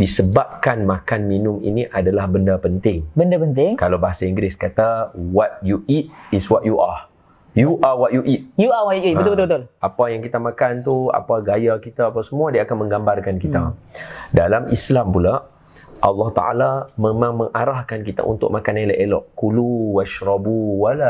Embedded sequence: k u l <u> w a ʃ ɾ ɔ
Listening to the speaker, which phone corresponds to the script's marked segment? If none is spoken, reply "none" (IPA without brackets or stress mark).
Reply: u